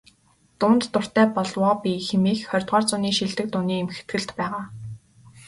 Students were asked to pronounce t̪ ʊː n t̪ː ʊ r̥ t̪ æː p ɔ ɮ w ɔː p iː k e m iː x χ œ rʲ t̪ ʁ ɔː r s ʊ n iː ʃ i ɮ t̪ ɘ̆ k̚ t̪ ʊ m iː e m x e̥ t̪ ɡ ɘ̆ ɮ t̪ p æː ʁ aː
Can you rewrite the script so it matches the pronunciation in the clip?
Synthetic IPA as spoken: t̪ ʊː n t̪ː ʊ r̥ t̪ æː p ɔ ɮ w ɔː p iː x e m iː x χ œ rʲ t̪ ʁ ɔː r t͡s ʊ n iː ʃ i ɮ t̪ ɘ̆ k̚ t̪ ʊ n iː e m x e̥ t̪ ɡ ɘ̆ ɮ t̪ p æː ʁ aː